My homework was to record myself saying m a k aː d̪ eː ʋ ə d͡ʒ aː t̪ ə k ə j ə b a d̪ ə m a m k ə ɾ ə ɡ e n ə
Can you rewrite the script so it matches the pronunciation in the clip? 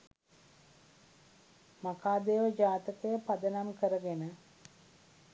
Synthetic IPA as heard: m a k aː d̪ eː ʋ ə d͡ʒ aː t̪ ə k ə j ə p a d̪ ə n a m k ə ɾ ə ɡ e n ə

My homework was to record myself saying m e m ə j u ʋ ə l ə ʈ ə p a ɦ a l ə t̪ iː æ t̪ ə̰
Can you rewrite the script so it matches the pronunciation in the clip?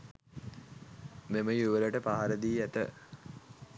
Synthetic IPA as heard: m e m ə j u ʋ ə l ə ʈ ə p a ɦ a ɾ ə d̪ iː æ t̪ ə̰

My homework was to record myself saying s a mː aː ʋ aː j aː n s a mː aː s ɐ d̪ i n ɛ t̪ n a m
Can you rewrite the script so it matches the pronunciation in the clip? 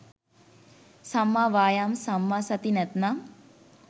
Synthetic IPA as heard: s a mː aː ʋ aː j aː m s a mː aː s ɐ t̪ i n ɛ t̪ n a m

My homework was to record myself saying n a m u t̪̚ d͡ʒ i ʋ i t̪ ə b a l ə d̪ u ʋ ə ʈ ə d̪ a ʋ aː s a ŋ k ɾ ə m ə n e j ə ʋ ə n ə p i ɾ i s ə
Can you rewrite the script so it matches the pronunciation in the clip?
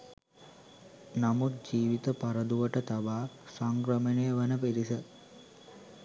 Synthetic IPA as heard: n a m u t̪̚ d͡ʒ iː ʋ i t̪ ə p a ɾ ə d̪ u ʋ ə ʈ ə t̪ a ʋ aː s a ŋ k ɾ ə m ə n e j ə ʋ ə n ə p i ɾ i s ə

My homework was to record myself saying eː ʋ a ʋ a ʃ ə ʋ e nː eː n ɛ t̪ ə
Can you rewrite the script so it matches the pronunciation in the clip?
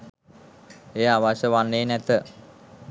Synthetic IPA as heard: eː a ʋ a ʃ ə ʋ a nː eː n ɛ t̪ ə

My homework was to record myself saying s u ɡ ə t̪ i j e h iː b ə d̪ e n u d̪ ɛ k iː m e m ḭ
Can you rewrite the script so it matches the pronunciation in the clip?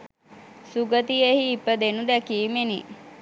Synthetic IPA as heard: s u ɡ ə t̪ i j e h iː p ə d̪ e n u d̪ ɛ k iː m e n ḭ

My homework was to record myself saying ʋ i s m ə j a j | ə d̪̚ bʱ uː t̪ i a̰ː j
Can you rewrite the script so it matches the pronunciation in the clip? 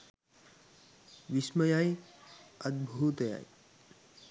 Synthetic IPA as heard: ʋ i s m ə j a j | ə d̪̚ bʱ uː t̪ j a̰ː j

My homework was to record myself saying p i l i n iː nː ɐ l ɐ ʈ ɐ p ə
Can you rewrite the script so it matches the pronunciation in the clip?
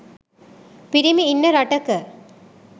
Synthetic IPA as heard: p i ɾ i m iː nː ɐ ɾ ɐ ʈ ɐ k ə

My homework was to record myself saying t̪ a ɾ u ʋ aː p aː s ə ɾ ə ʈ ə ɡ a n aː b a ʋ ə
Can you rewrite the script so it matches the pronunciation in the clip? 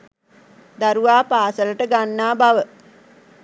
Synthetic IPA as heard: d̪ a ɾ u ʋ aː p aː s ə l ə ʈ ə ɡ a nː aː b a ʋ ə

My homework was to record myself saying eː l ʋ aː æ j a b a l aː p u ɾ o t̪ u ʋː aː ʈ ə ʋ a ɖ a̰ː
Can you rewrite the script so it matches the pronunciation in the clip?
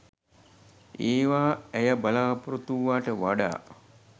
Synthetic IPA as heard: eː ʋ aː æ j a b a l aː p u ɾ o t̪ u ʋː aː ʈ ə ʋ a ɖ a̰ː

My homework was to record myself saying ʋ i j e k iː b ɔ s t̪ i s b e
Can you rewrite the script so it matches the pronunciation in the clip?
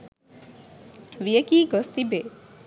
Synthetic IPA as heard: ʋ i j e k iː ɡ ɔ s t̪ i b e

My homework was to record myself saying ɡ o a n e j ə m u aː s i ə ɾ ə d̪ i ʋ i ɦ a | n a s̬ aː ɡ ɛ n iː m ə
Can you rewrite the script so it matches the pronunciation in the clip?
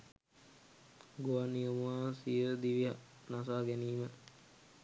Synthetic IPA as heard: ɡ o a n i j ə m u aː s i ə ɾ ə d̪ i ʋ i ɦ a | n a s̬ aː ɡ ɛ n iː m ə

